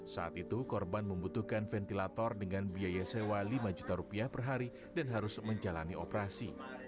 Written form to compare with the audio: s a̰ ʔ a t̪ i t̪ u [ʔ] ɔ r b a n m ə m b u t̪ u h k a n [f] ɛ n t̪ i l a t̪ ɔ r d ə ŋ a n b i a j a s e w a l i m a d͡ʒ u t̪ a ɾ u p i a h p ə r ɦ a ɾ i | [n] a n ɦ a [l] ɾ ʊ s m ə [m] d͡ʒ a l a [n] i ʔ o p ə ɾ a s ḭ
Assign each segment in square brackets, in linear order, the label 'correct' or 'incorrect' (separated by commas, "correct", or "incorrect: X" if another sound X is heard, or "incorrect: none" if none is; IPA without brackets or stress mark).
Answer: incorrect: k, correct, incorrect: d, incorrect: none, incorrect: ɲ, correct